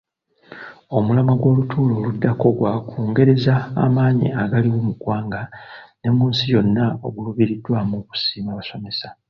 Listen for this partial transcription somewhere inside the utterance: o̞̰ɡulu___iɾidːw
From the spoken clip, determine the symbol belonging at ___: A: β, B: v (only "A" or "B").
A